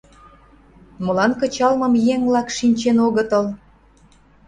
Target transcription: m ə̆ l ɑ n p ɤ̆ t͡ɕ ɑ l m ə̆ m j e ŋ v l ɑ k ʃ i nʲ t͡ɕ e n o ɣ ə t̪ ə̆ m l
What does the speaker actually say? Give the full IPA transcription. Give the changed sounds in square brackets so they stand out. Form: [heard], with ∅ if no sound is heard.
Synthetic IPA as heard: m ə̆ l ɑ n [k] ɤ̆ t͡ɕ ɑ l m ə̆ m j e ŋ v l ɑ k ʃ i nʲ t͡ɕ e n o ɣ ə t̪ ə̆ [∅] l